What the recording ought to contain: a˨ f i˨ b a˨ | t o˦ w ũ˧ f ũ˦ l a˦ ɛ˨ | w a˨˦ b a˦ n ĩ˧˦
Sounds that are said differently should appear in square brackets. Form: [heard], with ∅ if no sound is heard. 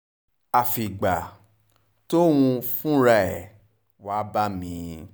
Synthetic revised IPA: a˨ f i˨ [ɡ͡b] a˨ | t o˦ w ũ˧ f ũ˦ [ɾ] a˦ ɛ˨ | w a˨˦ b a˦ [m] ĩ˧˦